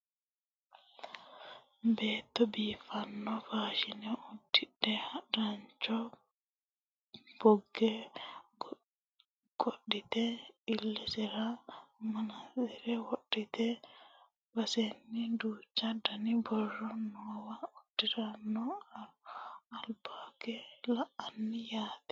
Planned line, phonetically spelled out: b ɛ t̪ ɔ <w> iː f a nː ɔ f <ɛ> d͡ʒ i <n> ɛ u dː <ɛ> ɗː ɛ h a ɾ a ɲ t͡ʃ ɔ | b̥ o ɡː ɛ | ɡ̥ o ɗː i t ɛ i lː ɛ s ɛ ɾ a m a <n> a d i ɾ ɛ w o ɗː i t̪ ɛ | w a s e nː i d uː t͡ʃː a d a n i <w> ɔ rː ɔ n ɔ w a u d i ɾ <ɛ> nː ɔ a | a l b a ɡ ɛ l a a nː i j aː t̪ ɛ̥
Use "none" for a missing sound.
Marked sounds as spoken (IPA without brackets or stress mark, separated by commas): b, a, n, i, n, b, a